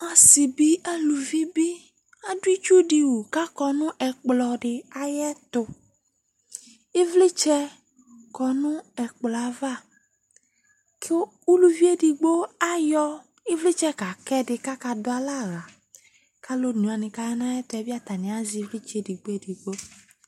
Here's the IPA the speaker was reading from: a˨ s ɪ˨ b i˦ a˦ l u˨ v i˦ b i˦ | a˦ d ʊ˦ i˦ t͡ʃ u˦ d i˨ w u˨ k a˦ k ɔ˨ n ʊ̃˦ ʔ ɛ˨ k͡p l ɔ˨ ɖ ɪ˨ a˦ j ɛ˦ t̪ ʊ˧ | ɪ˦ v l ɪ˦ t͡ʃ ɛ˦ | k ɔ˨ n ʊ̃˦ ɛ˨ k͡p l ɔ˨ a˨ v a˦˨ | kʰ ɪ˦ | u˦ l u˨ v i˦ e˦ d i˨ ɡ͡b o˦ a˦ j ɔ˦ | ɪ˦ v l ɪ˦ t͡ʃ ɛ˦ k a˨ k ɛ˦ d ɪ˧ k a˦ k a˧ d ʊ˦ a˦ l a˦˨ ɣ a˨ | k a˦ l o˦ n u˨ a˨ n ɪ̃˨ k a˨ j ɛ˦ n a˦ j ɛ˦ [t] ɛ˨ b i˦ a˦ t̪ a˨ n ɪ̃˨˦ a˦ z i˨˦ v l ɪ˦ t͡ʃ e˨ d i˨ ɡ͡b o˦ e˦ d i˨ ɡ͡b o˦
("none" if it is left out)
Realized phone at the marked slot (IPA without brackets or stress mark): t